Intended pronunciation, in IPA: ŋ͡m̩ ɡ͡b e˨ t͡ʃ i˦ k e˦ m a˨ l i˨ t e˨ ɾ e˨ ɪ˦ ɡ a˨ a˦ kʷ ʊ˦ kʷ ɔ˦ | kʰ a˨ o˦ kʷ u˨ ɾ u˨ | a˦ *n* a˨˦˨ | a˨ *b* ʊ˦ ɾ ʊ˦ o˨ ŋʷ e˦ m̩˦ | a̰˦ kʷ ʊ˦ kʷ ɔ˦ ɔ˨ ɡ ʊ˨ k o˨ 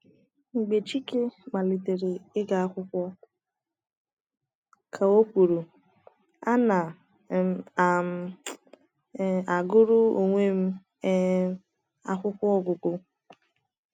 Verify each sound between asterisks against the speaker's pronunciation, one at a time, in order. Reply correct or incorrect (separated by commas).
correct, incorrect